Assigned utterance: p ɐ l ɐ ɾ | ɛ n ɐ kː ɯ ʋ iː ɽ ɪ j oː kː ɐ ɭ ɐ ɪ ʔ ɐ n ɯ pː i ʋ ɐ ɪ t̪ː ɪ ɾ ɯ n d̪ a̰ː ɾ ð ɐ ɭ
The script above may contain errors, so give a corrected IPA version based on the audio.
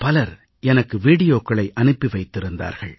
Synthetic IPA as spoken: p ɐ l ɐ ɾ | ɛ n ɐ kː ɯ ʋ iː ɽ ɪ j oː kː ɐ ɭ ɐ ɪ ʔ ɐ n ɯ pː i ʋ ɐ ɪ t̪ː ɪ ɾ ɯ n d̪ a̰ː ɾ ɣ ɐ ɭ

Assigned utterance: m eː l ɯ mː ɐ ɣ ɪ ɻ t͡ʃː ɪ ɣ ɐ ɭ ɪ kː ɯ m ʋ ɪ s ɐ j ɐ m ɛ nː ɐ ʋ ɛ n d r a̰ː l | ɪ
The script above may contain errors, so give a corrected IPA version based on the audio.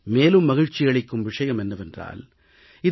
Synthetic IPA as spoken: m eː l ɯ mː ɐ ɣ ɪ ɻ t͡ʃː ɪ ɣ ɐ ɭ ɪ kː ɯ m ʋ ɪ ʂ ɐ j ɐ m ɛ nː ɐ ʋ ɛ n d r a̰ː l | ɪ

